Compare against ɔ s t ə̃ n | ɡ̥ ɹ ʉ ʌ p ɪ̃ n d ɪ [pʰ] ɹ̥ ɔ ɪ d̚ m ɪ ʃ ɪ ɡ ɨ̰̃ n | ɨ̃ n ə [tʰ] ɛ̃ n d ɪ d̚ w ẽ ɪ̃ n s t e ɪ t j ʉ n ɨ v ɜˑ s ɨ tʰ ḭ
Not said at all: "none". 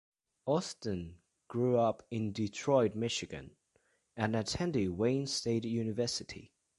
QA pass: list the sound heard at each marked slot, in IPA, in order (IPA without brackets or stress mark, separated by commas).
tʰ, tʰ